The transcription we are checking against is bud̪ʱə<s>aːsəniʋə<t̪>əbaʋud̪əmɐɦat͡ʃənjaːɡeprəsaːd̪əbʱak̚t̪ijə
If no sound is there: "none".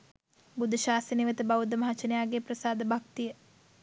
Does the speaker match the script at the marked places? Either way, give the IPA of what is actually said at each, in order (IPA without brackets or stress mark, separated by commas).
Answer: ʃ, t̪